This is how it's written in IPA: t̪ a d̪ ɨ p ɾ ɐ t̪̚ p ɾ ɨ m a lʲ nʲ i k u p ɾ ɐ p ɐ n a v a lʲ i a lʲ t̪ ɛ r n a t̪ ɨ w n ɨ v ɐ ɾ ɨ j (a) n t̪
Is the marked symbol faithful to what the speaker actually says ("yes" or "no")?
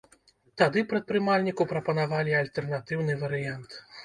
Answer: yes